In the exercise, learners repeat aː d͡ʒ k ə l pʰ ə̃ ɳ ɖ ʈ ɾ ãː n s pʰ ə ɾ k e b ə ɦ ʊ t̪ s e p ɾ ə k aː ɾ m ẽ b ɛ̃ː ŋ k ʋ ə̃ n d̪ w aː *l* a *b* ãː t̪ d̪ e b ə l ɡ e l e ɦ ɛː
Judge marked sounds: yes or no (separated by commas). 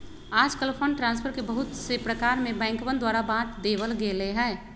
no, yes